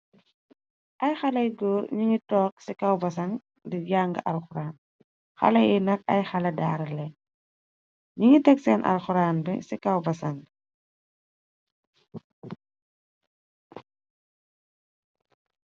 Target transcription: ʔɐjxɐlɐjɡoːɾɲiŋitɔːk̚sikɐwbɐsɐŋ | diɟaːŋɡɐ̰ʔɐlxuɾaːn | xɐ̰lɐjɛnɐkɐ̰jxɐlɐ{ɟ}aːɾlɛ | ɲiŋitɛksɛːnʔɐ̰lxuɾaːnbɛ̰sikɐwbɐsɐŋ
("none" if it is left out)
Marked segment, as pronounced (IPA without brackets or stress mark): d